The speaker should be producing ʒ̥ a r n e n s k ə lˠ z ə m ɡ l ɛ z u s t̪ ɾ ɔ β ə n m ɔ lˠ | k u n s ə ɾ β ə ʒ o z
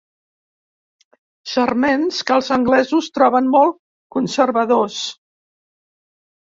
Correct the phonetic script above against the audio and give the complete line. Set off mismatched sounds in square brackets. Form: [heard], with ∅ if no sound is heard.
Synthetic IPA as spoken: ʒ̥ [ə] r [m] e n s k ə lˠ z ə [ŋ] ɡ l ɛ z u s t̪ ɾ ɔ β ə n m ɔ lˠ | k u n s ə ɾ β ə [ð] o [s]